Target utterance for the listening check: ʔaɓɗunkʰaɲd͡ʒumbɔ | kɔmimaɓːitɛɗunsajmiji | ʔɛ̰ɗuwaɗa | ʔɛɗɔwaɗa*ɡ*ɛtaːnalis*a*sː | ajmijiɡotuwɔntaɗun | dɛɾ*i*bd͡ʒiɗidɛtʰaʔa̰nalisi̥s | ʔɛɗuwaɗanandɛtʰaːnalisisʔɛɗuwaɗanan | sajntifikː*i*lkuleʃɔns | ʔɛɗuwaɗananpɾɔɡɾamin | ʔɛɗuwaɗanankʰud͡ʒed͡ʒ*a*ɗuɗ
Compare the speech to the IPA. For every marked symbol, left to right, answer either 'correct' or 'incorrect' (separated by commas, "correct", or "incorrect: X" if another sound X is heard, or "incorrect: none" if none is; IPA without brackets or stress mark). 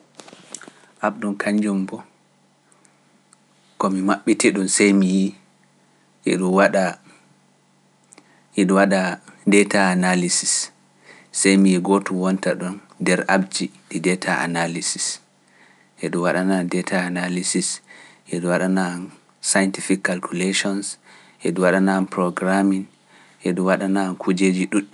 incorrect: d, incorrect: i, incorrect: a, incorrect: a, incorrect: i